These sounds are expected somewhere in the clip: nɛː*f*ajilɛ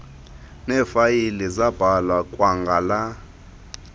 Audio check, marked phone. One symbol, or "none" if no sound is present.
f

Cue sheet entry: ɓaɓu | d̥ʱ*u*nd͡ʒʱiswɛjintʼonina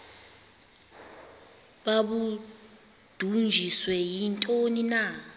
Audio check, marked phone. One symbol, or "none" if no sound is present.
u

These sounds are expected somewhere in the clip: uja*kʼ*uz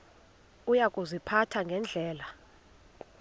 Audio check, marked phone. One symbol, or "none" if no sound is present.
kʼ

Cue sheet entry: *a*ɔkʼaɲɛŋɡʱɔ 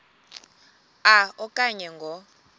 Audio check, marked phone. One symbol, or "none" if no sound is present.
a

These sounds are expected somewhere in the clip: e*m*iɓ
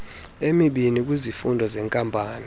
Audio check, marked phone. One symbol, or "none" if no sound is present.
m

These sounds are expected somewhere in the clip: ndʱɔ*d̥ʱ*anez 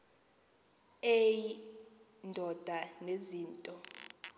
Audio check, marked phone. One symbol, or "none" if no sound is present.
d̥ʱ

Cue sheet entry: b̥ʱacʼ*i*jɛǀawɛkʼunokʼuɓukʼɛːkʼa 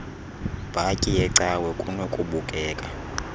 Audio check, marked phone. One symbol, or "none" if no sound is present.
i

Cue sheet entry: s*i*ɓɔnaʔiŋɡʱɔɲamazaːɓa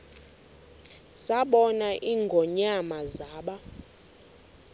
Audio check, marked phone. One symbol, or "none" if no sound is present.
a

